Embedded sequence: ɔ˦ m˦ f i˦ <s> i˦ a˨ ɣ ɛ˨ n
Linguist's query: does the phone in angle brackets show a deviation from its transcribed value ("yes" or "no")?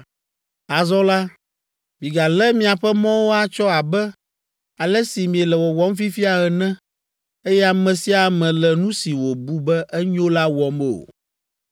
yes